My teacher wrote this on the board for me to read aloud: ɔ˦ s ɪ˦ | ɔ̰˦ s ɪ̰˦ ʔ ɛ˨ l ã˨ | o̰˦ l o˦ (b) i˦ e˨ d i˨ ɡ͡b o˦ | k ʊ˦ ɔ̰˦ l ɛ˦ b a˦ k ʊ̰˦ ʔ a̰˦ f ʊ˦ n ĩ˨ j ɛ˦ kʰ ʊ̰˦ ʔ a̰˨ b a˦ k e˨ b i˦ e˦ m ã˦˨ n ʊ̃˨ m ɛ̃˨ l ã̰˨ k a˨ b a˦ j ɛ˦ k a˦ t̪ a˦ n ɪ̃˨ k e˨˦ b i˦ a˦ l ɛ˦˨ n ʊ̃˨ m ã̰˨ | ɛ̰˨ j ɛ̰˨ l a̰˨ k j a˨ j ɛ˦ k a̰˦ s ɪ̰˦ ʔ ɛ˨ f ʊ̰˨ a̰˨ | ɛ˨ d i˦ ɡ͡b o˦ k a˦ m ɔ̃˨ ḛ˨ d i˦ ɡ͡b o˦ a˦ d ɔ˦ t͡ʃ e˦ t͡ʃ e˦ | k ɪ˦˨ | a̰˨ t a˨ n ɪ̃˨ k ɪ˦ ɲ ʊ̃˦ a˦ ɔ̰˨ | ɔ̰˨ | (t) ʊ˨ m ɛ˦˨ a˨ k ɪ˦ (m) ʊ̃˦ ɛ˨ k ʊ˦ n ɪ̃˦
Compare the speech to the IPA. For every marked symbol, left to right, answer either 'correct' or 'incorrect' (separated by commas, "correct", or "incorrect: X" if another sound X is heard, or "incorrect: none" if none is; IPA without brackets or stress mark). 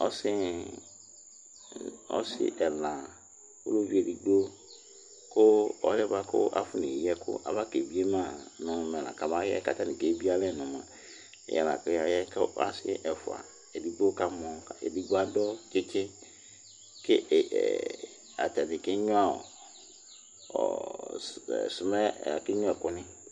incorrect: v, incorrect: s, incorrect: ɲ